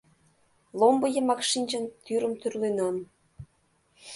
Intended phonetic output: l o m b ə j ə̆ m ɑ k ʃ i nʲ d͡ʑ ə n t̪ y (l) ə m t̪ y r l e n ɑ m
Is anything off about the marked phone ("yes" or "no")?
yes